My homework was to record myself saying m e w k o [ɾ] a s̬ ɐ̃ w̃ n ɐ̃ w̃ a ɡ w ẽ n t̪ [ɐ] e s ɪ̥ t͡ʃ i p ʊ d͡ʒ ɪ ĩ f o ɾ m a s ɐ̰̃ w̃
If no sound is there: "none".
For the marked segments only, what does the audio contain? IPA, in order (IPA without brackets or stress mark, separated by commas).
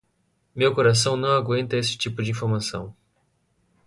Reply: ɾ, ɐ